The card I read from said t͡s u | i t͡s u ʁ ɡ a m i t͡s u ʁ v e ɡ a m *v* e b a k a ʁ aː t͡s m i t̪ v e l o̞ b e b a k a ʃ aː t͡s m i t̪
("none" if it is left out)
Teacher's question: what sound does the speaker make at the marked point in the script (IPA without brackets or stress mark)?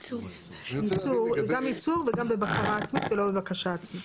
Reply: b